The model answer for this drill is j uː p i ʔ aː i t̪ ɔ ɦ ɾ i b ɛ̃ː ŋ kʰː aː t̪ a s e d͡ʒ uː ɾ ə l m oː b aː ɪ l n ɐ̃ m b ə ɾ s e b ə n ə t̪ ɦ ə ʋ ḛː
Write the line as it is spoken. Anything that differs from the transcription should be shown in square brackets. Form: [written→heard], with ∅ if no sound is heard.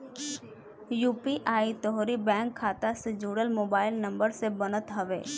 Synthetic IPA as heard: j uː p i ʔ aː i t̪ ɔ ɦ ɾ i b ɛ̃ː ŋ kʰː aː t̪ a s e d͡ʒ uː [ɾ→ɽ] ə l m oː b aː ɪ l n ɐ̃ m b ə ɾ s e b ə n ə t̪ ɦ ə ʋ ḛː